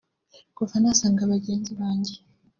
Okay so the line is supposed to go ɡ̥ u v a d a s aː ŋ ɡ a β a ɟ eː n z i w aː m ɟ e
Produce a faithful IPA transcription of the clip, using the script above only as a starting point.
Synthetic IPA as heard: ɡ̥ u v a n a s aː ŋ ɡ a β a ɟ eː n z i β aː ɲ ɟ e